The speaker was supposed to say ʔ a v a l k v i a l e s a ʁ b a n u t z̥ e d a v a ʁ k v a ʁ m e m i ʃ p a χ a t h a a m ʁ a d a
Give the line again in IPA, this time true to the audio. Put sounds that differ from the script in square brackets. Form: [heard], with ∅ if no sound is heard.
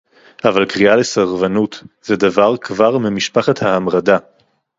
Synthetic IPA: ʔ a v a l k [ʁ] i a l e s a ʁ [v] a n u t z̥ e d a v a ʁ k v a ʁ m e m i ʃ p a χ a t h a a m ʁ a d a